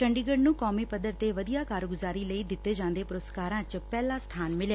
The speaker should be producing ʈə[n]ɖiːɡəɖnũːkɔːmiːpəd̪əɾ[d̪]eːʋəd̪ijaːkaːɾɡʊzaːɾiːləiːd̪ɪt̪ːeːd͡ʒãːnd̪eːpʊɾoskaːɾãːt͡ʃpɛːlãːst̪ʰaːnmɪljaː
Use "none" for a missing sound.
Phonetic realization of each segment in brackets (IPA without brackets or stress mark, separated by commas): ɳ, t̪